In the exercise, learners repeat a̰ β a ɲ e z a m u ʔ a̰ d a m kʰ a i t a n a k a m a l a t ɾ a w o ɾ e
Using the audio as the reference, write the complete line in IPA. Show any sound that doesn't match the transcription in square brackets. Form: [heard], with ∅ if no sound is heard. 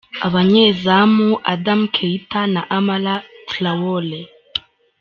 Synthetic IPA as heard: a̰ β a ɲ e z a m u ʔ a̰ d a m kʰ [e] i t a n a [ʔ] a m a l a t [l] a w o [l] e